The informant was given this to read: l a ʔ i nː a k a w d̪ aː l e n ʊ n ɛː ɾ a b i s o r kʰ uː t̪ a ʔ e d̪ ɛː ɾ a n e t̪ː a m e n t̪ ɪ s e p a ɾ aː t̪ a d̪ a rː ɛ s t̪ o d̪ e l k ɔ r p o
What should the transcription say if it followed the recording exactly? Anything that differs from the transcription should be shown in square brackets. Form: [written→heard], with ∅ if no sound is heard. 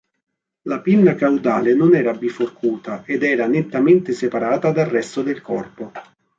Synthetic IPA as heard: l a [ʔ→p] i nː a k a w d̪ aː l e n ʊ n ɛː ɾ a b i [s→f] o r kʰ uː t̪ a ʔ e d̪ ɛː ɾ a n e t̪ː a m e n t̪ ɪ s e p a ɾ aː t̪ a d̪ a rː ɛ s t̪ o d̪ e l k ɔ r p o

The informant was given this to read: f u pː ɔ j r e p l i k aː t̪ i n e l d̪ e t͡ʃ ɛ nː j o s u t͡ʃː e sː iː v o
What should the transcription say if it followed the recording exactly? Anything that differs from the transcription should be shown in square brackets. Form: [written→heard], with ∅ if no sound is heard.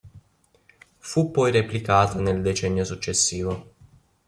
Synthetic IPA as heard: f u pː ɔ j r e p l i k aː t̪ [i→a] n e l d̪ e t͡ʃ ɛ nː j o s u t͡ʃː e sː iː v o

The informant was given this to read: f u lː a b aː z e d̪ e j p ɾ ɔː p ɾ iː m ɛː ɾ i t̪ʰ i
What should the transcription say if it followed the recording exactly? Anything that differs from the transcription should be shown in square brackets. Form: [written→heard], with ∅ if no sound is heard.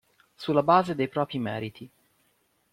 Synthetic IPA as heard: [f→s] u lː a b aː z e d̪ e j p ɾ ɔː p ɾ [iː→i] m ɛː ɾ i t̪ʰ i

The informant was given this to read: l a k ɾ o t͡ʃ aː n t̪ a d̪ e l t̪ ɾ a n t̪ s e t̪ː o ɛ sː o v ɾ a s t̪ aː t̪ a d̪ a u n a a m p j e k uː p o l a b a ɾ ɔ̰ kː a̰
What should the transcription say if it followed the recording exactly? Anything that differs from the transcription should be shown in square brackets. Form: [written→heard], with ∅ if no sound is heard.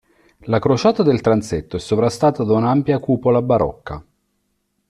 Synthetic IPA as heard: l a k ɾ o t͡ʃ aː [n→∅] t̪ a d̪ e l t̪ ɾ a n t̪ s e t̪ː o ɛ sː o v ɾ a s t̪ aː t̪ a d̪ a u n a a m p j [e→a] k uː p o l a b a ɾ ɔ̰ kː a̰

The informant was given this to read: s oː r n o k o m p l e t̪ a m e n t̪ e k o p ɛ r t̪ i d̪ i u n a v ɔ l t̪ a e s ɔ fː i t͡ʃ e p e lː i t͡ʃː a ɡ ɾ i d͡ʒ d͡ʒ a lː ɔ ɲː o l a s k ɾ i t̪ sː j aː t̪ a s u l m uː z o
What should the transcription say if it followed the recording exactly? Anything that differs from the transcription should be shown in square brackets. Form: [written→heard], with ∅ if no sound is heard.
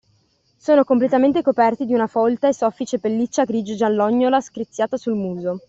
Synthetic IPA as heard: s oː [r→∅] n o k o m p l e t̪ a m e n t̪ e k o p ɛ r t̪ i d̪ i u n a [v→f] ɔ l t̪ a e s ɔ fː i t͡ʃ e p e lː i t͡ʃː a ɡ ɾ i d͡ʒ d͡ʒ a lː ɔ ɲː o l a s k ɾ i t̪ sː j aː t̪ a s u l m uː z o

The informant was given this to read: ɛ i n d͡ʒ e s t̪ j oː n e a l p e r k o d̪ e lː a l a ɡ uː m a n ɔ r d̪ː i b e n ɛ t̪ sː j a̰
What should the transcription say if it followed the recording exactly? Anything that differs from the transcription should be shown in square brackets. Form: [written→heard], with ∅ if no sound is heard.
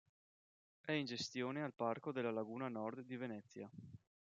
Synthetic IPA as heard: ɛ i n d͡ʒ e s t̪ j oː n e a l p [e→a] r k o d̪ e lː a l a ɡ uː [m→n] a n ɔ r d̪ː i [b→v] e n ɛ t̪ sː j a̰

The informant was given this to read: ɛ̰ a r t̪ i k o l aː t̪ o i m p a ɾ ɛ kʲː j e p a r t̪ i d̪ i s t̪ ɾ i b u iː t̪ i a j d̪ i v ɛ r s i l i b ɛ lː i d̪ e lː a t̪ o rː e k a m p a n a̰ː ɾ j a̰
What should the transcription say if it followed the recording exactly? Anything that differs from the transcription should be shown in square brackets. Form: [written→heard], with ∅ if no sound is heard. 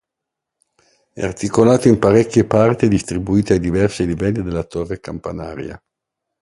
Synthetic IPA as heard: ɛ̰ a r t̪ i k o l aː t̪ o i m p a ɾ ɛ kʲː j e p a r t̪ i d̪ i s t̪ ɾ i b u iː t̪ [i→e] a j d̪ i v ɛ r s i l i [b→v] ɛ lː i d̪ e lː a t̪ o rː e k a m p a n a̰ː ɾ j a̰

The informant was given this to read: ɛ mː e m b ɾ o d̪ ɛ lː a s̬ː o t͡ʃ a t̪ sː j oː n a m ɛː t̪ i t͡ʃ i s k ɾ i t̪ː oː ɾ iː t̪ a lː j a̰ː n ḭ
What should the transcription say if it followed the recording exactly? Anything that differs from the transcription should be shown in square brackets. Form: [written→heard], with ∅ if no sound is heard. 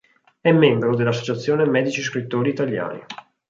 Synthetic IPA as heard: ɛ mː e m b ɾ o d̪ [ɛ→e] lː a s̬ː o t͡ʃ a t̪ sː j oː n [a→e] m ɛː [t̪→d̪] i t͡ʃ i s k ɾ i t̪ː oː ɾ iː t̪ a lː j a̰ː n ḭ

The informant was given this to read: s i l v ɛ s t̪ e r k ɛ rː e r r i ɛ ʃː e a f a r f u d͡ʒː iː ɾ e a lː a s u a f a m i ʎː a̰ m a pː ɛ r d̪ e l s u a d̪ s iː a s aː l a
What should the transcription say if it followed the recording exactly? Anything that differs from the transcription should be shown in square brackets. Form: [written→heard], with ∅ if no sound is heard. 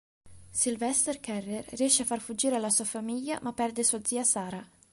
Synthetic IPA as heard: s i l v ɛ s t̪ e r k ɛ rː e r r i ɛ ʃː e a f a r f u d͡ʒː iː ɾ e a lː a s u a f a m i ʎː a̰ m a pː ɛ r d̪ e [l→∅] s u a d̪ [s→z] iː a s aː [l→ɾ] a

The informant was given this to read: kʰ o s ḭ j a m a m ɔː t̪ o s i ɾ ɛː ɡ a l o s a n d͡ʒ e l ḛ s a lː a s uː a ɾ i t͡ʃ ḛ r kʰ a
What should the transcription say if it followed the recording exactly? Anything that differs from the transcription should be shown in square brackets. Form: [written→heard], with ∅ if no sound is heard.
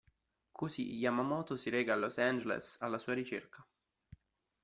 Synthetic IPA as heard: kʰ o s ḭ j a m a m ɔː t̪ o s i ɾ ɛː ɡ a l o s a n d͡ʒ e l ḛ s a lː a s uː a ɾ i t͡ʃ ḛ r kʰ a

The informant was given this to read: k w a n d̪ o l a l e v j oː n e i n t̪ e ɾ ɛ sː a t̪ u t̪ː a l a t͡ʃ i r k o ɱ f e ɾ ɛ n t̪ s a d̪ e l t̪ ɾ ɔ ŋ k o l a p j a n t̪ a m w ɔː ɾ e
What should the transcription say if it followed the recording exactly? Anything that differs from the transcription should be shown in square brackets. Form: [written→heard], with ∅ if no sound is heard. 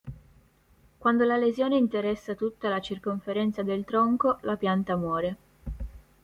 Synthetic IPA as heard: k w a n d̪ o l a l e [v→z] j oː n e i n t̪ e ɾ ɛ sː a t̪ u t̪ː a l a t͡ʃ i r k o ɱ f e ɾ ɛ n t̪ s a d̪ e l t̪ ɾ ɔ ŋ k o l a p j a n t̪ a m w ɔː ɾ e

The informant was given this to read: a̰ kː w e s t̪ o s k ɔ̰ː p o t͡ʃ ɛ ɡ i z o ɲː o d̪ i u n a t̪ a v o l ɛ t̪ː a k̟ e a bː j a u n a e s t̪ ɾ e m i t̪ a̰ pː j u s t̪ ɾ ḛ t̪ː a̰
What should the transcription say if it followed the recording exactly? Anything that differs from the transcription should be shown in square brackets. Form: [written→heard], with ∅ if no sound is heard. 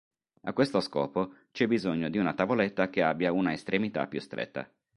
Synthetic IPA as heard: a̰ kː w e s t̪ o s k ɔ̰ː p o t͡ʃ ɛ [ɡ→b] i z o ɲː o d̪ i u n a t̪ a v o l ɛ t̪ː a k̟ e a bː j a u n a e s t̪ ɾ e m i t̪ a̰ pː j u s t̪ ɾ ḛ t̪ː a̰

